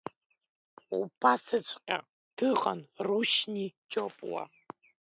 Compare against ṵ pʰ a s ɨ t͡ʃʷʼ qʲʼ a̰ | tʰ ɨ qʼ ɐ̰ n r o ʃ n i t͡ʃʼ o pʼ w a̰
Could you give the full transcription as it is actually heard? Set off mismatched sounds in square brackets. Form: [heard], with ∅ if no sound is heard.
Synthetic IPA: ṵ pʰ a s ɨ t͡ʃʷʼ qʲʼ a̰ | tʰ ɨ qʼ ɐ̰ n r [u] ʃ n i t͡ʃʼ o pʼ w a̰